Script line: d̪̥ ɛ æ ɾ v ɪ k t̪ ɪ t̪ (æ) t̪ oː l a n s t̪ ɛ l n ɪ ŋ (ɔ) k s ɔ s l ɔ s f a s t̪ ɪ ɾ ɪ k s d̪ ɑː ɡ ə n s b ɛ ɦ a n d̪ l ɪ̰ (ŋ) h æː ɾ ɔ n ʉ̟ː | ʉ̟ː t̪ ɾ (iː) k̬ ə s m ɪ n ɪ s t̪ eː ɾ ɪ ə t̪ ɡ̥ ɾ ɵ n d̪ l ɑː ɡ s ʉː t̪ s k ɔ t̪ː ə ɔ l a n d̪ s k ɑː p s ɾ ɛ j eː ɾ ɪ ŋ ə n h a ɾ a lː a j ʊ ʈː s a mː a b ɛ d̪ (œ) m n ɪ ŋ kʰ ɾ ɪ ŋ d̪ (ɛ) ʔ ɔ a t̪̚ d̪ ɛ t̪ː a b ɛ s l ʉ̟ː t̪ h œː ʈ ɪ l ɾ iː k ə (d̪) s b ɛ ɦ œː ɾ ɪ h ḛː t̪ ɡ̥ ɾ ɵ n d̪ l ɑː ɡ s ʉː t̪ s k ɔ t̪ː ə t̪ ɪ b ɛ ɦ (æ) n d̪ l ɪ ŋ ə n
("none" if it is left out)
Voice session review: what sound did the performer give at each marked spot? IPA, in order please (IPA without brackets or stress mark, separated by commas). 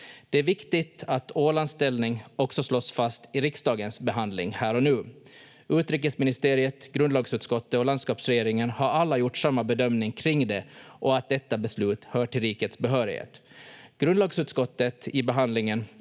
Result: a, ɔ, ŋ, iː, œ, ɛ, t̪, a